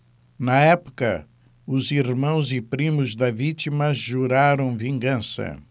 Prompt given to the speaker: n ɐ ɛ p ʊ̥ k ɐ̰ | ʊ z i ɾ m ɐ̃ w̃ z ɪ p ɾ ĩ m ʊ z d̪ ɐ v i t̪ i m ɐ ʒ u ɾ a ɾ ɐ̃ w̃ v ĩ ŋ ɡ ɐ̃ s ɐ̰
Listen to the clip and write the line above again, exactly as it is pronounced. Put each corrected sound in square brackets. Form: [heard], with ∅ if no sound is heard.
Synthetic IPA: n ɐ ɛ p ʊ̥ k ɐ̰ | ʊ z i ɾ m ɐ̃ w̃ z ɪ p ɾ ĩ m ʊ z d̪ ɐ v i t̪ i m ɐ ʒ u ɾ a ɾ ɐ̃ w̃ v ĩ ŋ ɡ ɐ̃ s ɐ̰